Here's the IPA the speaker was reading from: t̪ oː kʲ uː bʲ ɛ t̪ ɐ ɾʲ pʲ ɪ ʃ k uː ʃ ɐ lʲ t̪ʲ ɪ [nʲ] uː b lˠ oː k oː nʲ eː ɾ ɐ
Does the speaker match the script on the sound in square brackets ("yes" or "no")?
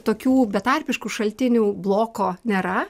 yes